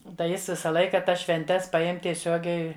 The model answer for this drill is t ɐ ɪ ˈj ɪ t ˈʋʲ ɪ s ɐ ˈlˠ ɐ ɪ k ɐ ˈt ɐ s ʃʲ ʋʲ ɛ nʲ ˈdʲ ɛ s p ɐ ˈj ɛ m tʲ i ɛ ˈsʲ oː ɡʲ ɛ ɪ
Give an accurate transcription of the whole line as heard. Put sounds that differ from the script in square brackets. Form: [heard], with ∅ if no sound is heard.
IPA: t ɐ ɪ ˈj ɪ [s] ˈʋʲ ɪ s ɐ ˈlˠ ɐ ɪ k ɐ ˈt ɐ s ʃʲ ʋʲ ɛ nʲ [ˈtʲ] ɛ s p ɐ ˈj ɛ m tʲ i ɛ ˈsʲ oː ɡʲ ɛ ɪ